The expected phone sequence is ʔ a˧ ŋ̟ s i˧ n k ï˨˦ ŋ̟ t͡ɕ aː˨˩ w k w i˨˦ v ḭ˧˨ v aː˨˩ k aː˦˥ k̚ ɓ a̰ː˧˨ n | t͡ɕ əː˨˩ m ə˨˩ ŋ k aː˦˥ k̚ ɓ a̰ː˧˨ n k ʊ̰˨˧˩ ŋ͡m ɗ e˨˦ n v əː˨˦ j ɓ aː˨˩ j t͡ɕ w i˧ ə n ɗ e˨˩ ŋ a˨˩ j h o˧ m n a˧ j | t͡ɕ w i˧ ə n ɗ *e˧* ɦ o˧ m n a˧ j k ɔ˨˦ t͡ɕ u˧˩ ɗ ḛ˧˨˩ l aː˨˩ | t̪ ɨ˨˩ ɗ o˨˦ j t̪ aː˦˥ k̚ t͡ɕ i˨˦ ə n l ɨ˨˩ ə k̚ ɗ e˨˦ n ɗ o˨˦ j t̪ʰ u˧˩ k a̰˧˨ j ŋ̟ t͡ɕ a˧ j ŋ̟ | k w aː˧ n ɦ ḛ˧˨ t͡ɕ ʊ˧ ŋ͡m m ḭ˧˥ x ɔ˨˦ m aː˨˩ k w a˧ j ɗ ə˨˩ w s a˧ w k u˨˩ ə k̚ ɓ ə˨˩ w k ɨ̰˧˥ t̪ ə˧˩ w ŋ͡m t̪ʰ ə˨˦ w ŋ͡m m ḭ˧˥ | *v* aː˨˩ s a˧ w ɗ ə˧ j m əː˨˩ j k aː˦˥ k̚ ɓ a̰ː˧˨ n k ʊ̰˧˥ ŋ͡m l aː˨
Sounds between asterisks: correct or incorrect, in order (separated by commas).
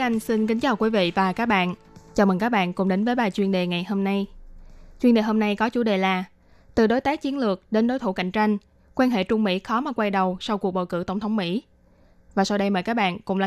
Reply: incorrect, correct